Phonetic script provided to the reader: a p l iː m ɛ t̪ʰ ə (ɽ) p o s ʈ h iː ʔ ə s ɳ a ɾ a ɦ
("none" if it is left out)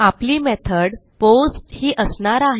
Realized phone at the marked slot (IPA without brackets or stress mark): ɽ